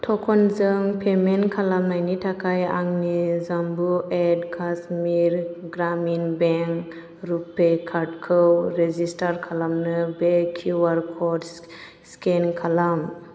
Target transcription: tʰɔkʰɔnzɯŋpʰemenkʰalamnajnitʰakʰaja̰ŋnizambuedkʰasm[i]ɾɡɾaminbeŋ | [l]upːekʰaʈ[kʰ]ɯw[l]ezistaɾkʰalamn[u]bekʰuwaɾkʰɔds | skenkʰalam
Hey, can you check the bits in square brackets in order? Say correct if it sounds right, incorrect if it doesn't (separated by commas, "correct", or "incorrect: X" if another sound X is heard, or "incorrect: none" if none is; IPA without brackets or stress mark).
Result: correct, incorrect: ɾ, correct, incorrect: ɾ, incorrect: ɯ